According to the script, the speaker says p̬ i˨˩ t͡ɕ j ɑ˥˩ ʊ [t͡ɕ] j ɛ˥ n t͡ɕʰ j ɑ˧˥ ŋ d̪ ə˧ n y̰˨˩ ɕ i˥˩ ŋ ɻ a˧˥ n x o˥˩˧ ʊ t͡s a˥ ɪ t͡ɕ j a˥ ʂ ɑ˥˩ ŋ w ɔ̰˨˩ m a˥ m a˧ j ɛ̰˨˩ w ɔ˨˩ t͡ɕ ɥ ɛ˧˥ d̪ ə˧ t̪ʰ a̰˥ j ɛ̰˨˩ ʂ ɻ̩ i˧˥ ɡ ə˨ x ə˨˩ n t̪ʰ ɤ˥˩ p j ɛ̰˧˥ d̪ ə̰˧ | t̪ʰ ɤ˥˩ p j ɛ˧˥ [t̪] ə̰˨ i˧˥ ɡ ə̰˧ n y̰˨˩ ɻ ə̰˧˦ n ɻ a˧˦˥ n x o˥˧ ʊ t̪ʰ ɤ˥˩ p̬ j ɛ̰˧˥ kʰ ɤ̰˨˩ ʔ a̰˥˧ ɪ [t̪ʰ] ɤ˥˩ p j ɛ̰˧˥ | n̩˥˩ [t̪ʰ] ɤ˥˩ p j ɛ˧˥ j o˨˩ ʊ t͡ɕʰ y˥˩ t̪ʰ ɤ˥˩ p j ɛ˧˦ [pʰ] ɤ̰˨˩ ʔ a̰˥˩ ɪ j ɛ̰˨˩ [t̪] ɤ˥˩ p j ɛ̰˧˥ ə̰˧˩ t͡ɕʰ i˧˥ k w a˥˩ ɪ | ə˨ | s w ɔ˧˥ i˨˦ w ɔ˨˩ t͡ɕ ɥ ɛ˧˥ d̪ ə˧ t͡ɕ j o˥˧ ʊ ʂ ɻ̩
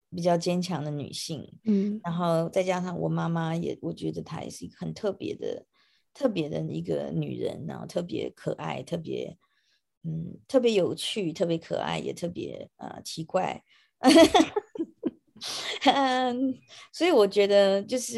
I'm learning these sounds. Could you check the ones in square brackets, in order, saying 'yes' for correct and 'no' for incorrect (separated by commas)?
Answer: yes, no, yes, yes, no, no